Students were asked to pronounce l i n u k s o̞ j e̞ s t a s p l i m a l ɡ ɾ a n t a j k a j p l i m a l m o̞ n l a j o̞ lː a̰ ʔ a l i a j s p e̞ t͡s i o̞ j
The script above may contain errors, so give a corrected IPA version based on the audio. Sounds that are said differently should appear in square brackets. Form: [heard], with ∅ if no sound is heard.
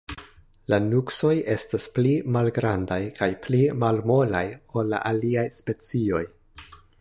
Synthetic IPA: l [a] n u k s o̞ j e̞ s t a s p l i m a l ɡ ɾ a n [d] a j k a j p l i m a l m o̞ [∅] l a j o̞ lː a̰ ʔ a l i a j s p e̞ t͡s i o̞ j